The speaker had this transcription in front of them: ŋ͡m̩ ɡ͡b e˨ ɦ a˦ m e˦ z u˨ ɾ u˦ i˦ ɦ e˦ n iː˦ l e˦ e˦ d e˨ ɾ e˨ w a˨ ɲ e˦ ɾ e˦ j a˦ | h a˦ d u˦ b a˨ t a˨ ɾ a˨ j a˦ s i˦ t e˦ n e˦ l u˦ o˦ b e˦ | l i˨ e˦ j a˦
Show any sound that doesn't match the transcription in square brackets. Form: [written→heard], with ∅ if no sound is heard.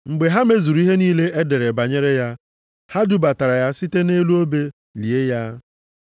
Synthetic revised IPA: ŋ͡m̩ ɡ͡b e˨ ɦ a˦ m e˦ z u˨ ɾ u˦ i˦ ɦ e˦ n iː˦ l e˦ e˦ d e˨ ɾ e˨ [w→b] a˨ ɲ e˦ ɾ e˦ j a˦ | h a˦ d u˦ b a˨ t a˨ ɾ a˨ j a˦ s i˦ t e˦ n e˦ l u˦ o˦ b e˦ | l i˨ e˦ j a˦